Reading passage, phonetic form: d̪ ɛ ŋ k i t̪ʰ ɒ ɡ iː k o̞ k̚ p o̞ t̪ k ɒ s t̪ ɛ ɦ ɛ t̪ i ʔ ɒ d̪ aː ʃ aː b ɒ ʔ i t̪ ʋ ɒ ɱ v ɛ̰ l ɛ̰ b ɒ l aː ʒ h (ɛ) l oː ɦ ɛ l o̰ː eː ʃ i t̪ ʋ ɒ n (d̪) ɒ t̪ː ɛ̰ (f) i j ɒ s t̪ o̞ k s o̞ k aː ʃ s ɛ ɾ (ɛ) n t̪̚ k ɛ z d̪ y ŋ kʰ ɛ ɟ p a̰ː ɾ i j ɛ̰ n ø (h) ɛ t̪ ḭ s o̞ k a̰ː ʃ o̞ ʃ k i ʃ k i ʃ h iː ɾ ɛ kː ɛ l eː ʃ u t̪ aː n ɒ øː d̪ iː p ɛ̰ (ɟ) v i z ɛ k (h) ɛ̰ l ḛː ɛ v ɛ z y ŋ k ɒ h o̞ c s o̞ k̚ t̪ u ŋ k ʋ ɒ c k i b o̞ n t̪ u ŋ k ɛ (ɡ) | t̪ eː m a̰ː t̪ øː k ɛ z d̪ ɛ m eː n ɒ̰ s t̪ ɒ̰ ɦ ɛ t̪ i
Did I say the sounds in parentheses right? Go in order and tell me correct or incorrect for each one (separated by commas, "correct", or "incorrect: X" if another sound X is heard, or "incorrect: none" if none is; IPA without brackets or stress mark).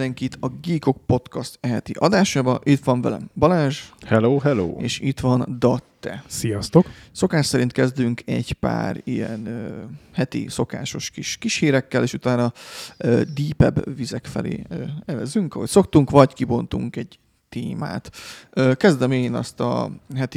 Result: correct, correct, incorrect: s, incorrect: i, correct, incorrect: b, incorrect: f, incorrect: ɟ